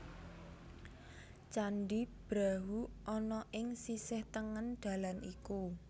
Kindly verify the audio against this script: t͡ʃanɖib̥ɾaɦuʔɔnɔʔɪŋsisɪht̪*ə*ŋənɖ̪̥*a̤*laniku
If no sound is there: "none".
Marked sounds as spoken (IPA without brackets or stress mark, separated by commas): ə, a̤